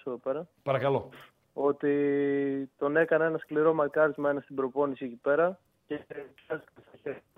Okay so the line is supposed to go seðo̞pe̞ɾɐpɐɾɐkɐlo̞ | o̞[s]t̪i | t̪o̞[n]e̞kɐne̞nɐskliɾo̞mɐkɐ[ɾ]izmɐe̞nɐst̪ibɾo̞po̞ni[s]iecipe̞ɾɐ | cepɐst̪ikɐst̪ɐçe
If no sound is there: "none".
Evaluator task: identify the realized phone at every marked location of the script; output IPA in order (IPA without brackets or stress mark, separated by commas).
none, n, ɾ, s